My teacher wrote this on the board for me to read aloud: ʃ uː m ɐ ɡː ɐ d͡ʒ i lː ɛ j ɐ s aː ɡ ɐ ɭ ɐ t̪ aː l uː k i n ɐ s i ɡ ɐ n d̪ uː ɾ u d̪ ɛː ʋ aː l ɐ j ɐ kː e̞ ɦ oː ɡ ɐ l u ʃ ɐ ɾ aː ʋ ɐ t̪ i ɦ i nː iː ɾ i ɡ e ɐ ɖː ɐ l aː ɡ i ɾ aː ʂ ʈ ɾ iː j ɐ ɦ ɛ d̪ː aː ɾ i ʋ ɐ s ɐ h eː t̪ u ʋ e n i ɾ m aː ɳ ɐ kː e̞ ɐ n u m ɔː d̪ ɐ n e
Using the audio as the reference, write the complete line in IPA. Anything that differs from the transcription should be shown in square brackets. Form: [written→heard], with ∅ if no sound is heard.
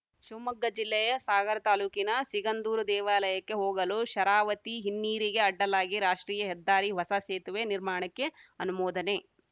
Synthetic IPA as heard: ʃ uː m ɐ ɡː ɐ d͡ʒ i lː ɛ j ɐ s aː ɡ ɐ [ɭ→ɾ] ɐ t̪ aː l uː k i n ɐ s i ɡ ɐ n d̪ uː ɾ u d̪ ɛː ʋ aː l ɐ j ɐ kː e̞ ɦ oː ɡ ɐ l u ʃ ɐ ɾ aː ʋ ɐ t̪ i ɦ i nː iː ɾ i ɡ e ɐ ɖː ɐ l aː ɡ i ɾ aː ʂ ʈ ɾ iː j ɐ ɦ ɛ d̪ː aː ɾ i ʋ ɐ s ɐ [h→s] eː t̪ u ʋ e n i ɾ m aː ɳ ɐ kː e̞ ɐ n u m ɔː d̪ ɐ n e